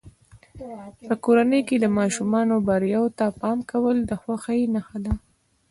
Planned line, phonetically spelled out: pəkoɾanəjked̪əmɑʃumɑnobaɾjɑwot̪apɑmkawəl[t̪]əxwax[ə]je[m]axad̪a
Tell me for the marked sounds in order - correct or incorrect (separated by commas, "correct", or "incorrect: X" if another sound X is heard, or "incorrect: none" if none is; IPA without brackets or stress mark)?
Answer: incorrect: d̪, incorrect: a, incorrect: n